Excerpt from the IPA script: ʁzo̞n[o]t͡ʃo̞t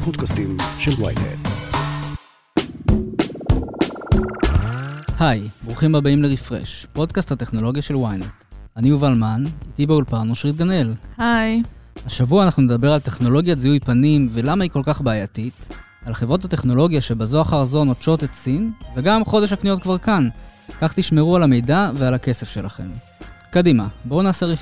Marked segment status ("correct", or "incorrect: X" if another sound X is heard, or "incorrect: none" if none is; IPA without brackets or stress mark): correct